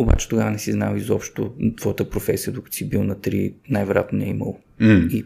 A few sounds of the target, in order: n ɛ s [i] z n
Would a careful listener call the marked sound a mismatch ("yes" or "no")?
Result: no